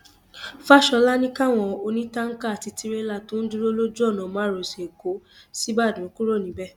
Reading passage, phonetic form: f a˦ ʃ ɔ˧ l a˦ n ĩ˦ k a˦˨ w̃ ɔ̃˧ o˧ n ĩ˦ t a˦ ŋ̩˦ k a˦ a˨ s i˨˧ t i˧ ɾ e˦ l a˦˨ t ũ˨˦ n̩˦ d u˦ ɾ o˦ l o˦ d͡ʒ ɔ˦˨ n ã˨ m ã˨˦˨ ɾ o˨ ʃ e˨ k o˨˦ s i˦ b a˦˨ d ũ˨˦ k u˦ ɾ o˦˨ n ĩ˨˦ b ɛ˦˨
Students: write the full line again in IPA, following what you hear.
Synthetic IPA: f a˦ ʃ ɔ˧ l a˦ n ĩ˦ k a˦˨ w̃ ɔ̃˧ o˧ n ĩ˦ t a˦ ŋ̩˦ k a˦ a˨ t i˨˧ t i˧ ɾ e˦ l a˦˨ t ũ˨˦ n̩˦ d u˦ ɾ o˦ l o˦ d͡ʒ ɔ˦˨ n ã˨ m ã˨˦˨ ɾ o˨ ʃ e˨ k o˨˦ s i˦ b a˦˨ d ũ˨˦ k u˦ ɾ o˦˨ n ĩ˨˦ b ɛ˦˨